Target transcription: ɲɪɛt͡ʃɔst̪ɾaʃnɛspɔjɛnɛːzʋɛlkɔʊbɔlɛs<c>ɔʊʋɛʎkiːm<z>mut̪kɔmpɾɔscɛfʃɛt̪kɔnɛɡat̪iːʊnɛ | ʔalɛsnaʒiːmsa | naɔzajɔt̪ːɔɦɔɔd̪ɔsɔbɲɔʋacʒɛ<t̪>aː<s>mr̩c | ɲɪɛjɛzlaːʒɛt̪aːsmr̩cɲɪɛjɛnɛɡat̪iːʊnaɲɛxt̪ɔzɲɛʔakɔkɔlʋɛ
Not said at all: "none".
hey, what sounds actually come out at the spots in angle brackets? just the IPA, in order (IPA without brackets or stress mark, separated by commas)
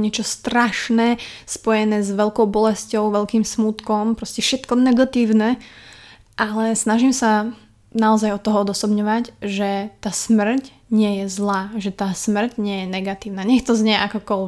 c, s, t̪, s